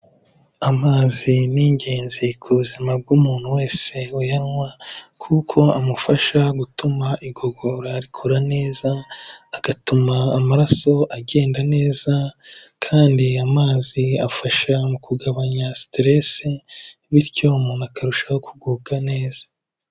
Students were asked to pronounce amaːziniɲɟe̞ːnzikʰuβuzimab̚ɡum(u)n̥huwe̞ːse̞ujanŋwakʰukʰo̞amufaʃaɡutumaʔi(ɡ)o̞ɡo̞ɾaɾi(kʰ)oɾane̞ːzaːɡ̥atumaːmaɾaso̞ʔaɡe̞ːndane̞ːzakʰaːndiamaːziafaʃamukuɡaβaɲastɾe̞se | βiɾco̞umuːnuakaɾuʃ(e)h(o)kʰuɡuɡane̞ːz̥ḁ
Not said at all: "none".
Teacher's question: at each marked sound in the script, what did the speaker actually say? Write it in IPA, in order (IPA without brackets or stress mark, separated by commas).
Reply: uː, ɡ, kʰ, a, o